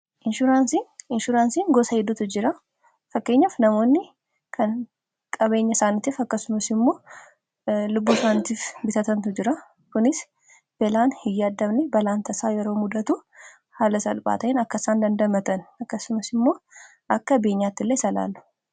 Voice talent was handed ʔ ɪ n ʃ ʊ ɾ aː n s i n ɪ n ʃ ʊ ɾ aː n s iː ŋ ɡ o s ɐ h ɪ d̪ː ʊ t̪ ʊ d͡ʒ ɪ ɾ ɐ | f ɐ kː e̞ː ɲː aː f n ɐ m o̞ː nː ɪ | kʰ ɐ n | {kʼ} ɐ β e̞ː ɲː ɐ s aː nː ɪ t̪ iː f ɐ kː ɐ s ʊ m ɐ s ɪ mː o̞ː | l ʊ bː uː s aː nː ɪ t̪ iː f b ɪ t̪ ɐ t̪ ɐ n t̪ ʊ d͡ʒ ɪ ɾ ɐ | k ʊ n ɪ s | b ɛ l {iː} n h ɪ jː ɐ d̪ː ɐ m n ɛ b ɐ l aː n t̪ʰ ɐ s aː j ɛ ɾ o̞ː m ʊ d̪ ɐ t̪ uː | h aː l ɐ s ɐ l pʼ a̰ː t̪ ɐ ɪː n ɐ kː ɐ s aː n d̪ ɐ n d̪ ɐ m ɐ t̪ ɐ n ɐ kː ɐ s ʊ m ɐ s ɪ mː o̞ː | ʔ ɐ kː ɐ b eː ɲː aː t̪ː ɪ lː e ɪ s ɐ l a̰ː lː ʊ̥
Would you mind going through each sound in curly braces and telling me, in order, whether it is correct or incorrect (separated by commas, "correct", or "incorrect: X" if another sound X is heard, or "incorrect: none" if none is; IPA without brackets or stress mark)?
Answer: correct, incorrect: aː